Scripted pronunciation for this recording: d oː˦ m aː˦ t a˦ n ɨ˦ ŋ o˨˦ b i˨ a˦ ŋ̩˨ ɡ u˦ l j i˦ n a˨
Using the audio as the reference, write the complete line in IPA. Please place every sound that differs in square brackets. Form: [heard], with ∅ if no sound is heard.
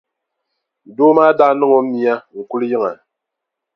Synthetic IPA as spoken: d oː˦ m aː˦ [d] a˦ n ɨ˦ ŋ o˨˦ [m] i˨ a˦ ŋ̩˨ [k] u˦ l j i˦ [ŋ] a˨